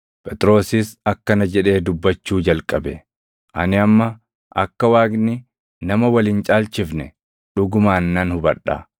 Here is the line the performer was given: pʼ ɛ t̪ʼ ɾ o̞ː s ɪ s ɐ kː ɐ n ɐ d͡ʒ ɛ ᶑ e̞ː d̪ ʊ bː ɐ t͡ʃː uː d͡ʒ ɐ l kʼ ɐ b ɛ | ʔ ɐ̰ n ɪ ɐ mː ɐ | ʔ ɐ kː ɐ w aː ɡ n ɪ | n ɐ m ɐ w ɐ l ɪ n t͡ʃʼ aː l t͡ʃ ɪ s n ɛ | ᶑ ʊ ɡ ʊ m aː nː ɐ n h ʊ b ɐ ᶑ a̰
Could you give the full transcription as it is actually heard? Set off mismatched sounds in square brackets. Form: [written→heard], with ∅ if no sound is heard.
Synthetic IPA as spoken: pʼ ɛ t̪ʼ ɾ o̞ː s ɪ s ɐ kː ɐ n ɐ d͡ʒ ɛ ᶑ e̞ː d̪ ʊ bː ɐ t͡ʃː uː d͡ʒ ɐ l kʼ ɐ b ɛ | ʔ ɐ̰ n ɪ ɐ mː ɐ | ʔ ɐ kː ɐ w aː ɡ n ɪ | n ɐ m ɐ w ɐ l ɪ n t͡ʃʼ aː l t͡ʃ ɪ [s→f] n ɛ | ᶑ ʊ ɡ ʊ m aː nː ɐ n h ʊ b ɐ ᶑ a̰